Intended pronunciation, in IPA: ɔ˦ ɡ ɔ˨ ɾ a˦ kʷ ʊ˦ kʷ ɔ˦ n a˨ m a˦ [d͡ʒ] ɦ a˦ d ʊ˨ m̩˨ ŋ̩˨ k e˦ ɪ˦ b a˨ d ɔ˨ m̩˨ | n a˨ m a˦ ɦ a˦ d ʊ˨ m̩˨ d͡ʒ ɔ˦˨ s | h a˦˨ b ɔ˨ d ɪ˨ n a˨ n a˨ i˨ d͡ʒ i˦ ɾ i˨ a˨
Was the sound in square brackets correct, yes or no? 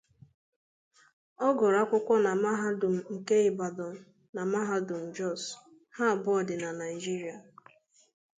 no